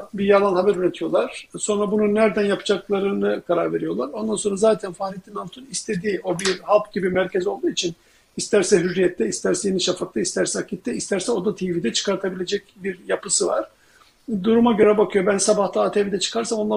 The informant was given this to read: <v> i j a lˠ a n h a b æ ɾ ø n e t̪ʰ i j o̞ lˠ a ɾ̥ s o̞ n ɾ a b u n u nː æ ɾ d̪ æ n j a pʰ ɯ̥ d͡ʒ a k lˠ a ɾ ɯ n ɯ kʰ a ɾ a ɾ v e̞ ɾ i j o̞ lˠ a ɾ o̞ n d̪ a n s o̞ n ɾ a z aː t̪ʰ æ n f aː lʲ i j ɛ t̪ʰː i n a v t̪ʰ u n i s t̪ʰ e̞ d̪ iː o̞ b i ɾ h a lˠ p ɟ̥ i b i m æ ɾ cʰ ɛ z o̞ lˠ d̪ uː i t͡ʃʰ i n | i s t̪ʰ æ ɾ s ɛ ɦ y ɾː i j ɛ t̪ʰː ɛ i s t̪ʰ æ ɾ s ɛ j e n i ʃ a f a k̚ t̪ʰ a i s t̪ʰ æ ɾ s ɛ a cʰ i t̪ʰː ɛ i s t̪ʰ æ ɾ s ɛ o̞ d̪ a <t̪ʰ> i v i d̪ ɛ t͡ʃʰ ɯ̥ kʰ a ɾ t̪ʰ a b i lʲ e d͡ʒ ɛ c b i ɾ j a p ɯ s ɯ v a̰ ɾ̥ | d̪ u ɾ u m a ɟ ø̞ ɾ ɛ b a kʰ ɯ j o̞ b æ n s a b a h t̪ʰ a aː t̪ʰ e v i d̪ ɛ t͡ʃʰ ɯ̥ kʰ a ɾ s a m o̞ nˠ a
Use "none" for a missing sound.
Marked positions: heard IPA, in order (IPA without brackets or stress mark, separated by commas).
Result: b, t̪ʰ